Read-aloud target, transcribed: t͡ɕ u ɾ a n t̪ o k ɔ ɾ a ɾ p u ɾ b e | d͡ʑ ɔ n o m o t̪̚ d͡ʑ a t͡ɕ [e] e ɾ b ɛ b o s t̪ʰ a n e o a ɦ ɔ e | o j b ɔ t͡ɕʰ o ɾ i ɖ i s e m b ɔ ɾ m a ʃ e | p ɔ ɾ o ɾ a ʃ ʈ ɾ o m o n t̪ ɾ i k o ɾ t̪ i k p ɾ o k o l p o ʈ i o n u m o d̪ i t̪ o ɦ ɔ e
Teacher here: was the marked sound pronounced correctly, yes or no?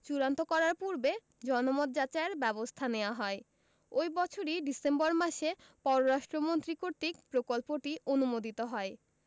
no